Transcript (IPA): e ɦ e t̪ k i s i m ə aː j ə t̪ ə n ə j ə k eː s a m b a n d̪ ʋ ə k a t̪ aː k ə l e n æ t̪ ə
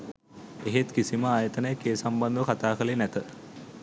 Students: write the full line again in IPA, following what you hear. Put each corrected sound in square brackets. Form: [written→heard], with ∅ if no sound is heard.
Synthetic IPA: e ɦ e t̪ k i s i m ə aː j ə t̪ ə n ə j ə k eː s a m b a n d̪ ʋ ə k a t̪ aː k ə l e n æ t̪ ə